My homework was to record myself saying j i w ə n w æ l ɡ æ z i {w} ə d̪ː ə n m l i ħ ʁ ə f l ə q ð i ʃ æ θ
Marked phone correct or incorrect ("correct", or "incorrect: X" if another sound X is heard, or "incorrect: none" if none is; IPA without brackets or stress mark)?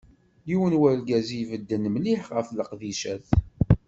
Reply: incorrect: v